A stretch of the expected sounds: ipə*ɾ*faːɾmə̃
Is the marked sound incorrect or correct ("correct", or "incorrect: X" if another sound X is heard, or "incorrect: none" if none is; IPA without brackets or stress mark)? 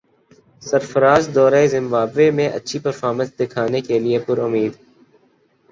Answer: correct